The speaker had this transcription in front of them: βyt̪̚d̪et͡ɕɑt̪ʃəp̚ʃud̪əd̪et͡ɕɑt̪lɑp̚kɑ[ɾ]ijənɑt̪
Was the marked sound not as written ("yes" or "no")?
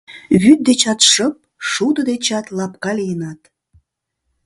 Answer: yes